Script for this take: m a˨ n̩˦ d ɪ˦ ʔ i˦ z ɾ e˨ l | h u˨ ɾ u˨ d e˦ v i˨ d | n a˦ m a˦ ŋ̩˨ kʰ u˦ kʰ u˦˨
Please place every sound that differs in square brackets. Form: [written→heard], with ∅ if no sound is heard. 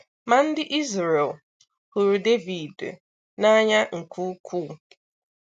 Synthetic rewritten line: m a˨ n̩˦ d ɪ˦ ʔ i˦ z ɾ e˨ l | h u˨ ɾ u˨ d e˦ v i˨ d | n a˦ [m→ɲ] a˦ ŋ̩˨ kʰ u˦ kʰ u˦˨